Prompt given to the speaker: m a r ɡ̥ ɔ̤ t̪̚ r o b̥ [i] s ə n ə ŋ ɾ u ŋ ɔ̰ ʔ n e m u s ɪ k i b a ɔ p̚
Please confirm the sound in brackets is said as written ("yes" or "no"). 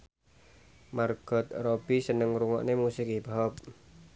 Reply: yes